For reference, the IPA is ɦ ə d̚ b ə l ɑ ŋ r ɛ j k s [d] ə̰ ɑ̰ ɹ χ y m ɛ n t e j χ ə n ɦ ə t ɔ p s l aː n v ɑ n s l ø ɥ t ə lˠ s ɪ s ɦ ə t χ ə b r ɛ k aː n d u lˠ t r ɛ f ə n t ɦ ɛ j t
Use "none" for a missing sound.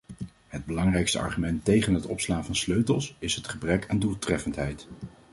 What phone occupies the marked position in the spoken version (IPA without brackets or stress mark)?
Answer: t